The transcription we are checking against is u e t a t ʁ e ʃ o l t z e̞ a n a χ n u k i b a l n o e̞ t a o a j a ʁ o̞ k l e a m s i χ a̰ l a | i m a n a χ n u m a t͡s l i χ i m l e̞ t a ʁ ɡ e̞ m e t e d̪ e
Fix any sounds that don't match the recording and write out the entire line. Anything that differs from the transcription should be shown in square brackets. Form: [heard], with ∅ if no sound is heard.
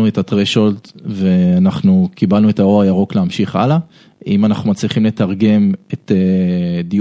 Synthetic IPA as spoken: u e t a t ʁ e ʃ o l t [v] e̞ a n a χ n u k i b a l n [u] e̞ t a o a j a ʁ o̞ k l e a m [ʃ] i χ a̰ l a | i m a n a χ n u m a t͡s l i χ i m l e̞ t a ʁ ɡ e̞ m e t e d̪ [i]